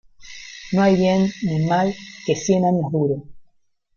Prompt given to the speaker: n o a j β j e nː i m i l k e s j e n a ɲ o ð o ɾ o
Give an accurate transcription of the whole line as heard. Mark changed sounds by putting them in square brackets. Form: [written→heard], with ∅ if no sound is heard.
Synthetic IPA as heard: n o a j β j e nː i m [i→a] l k e s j e n a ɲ o ð [o→u] ɾ o

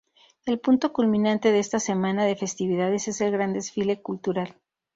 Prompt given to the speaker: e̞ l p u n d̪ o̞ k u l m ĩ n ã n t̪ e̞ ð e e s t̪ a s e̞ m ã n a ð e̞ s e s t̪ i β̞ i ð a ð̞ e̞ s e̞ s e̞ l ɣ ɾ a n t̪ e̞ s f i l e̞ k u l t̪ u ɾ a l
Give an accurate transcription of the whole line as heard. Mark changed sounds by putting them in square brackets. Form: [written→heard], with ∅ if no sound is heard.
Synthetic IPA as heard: e̞ l p u n [d̪→t̪] o̞ k u l m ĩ n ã n t̪ e̞ ð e e s t̪ a s e̞ m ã n a ð e̞ [s→f] e s t̪ i β̞ i ð a ð̞ e̞ s e̞ s e̞ l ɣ ɾ a n [t̪→d̪] e̞ s f i l e̞ k u l t̪ u ɾ a l

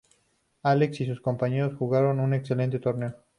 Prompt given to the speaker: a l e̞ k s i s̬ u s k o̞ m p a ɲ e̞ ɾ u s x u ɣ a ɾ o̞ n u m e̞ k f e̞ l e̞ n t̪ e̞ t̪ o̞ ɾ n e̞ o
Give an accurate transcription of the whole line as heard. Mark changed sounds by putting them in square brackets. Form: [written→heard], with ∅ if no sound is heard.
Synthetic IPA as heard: a l e̞ k s i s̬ u s k o̞ m p a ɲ e̞ ɾ [u→o] s x u ɣ a ɾ o̞ n u [m→n] e̞ k [f→s] e̞ l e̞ n t̪ e̞ t̪ o̞ ɾ n e̞ o

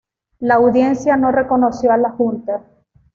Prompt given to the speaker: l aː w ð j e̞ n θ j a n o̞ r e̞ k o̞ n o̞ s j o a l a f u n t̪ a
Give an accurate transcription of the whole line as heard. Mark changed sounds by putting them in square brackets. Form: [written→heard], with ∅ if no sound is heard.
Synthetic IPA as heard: l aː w ð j e̞ n [θ→s] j a n o̞ r e̞ k o̞ n o̞ s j o a l a [f→x] u n t̪ a

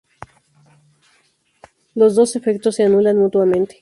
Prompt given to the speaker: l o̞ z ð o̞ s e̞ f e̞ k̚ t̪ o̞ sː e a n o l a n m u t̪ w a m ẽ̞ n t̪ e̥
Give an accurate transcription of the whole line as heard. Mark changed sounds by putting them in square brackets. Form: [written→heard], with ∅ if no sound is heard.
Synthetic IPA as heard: l o̞ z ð o̞ s e̞ f e̞ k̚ t̪ o̞ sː e a n [o→u] l a n m u t̪ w a m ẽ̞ n t̪ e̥

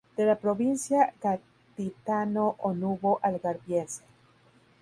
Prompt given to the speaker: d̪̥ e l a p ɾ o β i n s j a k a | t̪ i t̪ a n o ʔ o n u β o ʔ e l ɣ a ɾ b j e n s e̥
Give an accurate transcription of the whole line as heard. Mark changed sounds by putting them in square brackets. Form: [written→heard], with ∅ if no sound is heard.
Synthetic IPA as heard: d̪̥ e l a p ɾ o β i n s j a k a | t̪ i t̪ a n o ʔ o n u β o ʔ [e→a] l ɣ a ɾ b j e n s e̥

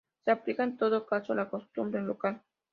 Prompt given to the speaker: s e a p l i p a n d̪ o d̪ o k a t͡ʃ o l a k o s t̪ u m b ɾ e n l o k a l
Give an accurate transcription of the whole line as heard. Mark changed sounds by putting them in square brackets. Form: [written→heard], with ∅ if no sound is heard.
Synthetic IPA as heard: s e a p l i [p→k] a n [d̪→t̪] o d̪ o k a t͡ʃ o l a k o s t̪ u m b ɾ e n l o k a l

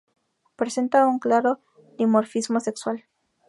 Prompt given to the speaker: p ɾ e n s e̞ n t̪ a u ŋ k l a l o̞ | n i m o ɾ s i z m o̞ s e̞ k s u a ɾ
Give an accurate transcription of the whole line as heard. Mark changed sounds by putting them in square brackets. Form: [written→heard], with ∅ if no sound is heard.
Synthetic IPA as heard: p ɾ e [n→∅] s e̞ n t̪ a u ŋ k l a [l→ɾ] o̞ | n i m o ɾ [s→f] i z m o̞ s e̞ k s [u→w] a [ɾ→l]

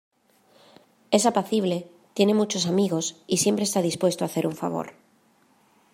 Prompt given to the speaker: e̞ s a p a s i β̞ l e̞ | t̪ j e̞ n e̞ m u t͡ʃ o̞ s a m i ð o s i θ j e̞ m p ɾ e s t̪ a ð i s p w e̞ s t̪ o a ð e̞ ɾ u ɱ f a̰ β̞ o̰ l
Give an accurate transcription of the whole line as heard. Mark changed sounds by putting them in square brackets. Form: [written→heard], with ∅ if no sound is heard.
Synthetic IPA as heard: e̞ s a p a [s→θ] i β̞ l e̞ | t̪ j e̞ n e̞ m u t͡ʃ o̞ s a m i [ð→ɣ] o s i [θ→s] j e̞ m p ɾ e s t̪ a ð i s p w e̞ s t̪ o a [ð→θ] e̞ ɾ u ɱ f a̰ β̞ o̰ [l→ɾ]

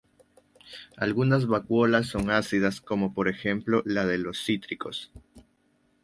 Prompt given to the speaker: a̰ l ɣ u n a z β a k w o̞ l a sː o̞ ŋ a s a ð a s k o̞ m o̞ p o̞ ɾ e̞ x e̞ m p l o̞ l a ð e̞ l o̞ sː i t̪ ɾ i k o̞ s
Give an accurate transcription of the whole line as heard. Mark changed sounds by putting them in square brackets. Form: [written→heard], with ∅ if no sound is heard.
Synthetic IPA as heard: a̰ l ɣ u n a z β a k w o̞ l a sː o̞ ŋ a s [a→i] ð a s k o̞ m o̞ p o̞ ɾ e̞ x e̞ m p l o̞ l a ð e̞ l o̞ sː i t̪ ɾ i k o̞ s

